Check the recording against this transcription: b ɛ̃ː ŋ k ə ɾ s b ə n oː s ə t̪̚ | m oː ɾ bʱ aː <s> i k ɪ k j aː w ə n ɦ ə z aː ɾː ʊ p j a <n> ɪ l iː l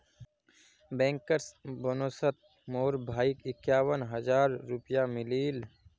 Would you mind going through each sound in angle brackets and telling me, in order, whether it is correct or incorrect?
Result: incorrect: none, incorrect: m

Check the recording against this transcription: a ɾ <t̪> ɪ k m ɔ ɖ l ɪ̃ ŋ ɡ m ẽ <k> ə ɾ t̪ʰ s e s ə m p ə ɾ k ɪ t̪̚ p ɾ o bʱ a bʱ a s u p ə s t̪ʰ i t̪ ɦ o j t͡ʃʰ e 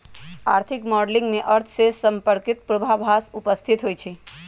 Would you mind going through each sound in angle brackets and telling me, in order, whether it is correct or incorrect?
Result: incorrect: t̪ʰ, incorrect: ʔ

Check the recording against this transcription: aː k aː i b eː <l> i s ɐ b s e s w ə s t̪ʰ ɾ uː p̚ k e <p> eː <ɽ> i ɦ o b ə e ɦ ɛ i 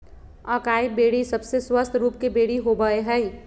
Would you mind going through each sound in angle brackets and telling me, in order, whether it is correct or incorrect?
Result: incorrect: ɽ, incorrect: b, correct

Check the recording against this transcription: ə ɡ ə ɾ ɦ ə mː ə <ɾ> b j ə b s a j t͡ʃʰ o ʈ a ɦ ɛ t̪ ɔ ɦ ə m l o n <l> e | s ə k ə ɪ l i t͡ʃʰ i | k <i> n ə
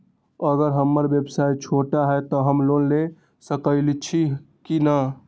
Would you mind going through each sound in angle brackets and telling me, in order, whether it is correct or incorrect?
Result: correct, correct, correct

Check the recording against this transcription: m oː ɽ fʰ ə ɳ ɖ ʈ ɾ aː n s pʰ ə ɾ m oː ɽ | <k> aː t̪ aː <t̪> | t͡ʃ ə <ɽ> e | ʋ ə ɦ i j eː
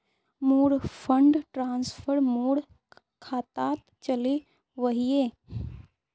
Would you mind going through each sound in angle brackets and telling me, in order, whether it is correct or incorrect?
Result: incorrect: kʰ, correct, incorrect: l

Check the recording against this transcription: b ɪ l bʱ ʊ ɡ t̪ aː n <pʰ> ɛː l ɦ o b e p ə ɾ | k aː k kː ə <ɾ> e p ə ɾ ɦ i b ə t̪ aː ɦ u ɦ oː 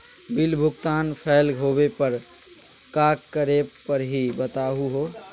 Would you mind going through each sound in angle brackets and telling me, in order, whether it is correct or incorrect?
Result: correct, correct

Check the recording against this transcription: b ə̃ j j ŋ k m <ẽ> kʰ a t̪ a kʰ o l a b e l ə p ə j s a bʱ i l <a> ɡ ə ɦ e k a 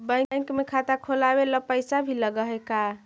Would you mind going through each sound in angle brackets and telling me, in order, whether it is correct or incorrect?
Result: incorrect: e, incorrect: ə

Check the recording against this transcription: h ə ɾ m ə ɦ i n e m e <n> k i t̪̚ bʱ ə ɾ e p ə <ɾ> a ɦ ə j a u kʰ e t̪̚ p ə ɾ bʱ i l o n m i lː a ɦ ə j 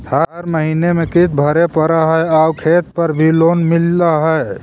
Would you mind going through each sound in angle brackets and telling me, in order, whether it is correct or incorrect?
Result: incorrect: none, correct

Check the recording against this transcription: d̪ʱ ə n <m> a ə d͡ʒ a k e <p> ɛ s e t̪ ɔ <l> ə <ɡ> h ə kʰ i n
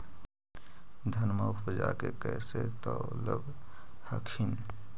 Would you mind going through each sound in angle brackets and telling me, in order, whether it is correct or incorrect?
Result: correct, incorrect: k, correct, incorrect: b

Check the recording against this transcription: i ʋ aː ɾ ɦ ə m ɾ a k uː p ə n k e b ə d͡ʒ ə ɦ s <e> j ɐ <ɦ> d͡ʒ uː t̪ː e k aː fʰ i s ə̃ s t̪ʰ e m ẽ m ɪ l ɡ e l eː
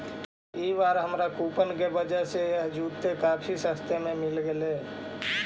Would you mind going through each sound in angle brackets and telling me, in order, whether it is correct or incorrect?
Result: correct, correct

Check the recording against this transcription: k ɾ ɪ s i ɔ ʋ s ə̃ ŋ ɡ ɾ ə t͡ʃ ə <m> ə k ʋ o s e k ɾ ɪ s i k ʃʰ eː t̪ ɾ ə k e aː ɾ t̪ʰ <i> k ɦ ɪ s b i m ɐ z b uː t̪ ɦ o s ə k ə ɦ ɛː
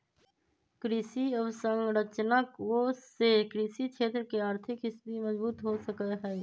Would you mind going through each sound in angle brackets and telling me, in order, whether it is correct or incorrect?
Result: incorrect: n, incorrect: ɪ

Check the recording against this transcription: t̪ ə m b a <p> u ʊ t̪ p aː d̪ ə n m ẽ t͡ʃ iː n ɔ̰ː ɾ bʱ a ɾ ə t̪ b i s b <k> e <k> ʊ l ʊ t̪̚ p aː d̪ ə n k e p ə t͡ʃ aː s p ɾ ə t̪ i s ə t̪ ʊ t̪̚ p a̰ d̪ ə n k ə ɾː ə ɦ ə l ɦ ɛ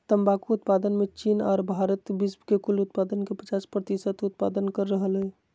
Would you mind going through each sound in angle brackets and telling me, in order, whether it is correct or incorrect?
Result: incorrect: k, correct, correct

